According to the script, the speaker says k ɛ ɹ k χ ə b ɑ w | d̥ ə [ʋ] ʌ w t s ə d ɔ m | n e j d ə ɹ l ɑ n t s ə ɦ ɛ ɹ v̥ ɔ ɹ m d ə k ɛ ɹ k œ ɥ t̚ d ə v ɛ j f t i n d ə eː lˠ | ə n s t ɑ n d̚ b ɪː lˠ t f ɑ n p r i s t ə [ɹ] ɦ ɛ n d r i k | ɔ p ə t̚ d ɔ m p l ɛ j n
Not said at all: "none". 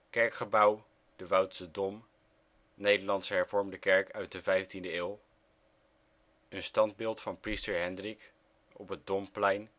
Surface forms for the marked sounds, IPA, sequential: ʋ, ɹ

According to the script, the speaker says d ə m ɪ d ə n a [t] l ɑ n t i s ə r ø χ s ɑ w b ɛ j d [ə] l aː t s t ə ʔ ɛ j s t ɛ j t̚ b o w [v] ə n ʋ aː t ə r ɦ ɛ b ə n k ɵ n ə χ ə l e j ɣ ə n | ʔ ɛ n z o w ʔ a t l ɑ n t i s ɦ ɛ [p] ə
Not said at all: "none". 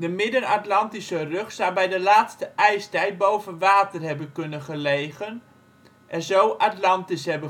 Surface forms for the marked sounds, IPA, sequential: t, ə, v, b

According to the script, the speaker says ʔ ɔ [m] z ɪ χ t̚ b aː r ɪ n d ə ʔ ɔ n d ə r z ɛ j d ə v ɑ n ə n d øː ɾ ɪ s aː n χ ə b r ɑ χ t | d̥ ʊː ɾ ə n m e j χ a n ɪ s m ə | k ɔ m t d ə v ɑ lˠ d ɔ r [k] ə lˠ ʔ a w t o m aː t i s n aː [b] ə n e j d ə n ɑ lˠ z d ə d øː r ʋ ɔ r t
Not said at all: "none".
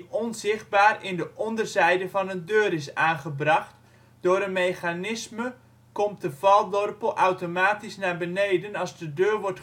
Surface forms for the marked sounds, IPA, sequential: n, p, b

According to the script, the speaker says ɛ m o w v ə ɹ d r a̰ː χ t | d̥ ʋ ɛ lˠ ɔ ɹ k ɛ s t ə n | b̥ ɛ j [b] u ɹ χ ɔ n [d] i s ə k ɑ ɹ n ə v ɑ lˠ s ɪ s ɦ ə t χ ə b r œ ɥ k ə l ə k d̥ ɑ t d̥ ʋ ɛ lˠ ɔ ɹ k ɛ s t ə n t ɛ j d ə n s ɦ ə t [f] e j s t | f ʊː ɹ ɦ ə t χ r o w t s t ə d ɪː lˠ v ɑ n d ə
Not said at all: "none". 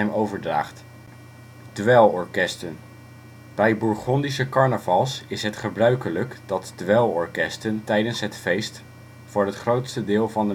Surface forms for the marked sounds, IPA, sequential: b, d, f

